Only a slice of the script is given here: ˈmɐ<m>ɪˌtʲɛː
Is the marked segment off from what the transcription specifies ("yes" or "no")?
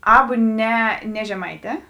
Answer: yes